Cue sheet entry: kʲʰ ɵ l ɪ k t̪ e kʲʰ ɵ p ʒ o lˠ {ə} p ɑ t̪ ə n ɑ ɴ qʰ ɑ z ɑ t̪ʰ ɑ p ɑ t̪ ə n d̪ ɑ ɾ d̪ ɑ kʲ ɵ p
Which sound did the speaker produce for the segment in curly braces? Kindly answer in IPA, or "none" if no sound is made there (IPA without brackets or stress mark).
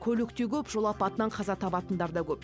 ɑ